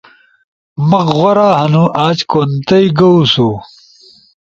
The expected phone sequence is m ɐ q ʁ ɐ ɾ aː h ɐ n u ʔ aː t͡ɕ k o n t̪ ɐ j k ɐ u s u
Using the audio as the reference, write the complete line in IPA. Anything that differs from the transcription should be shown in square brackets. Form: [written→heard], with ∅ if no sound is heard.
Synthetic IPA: m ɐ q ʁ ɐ ɾ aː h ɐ n u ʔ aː t͡ɕ k o n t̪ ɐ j [k→ɡ] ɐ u s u